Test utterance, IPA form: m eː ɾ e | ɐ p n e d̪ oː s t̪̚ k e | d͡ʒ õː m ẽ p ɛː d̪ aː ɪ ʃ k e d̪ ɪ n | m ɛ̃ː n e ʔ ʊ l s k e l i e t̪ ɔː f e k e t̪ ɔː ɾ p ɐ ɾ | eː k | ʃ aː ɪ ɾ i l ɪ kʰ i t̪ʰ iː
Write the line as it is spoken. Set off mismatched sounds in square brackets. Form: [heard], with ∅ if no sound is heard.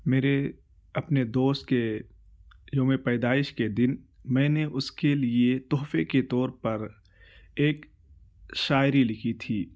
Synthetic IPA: m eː ɾ e | ɐ p n e d̪ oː s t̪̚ k e | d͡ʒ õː m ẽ p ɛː d̪ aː ɪ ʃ k e d̪ ɪ n | m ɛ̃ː n e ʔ ʊ [∅] s k e l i e t̪ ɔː f e k e t̪ ɔː ɾ p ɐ ɾ | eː k | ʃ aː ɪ ɾ i l ɪ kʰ i t̪ʰ iː